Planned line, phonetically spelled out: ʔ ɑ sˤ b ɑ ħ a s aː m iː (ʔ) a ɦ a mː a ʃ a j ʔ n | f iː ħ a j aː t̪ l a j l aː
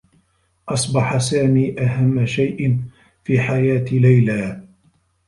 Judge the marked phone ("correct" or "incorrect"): correct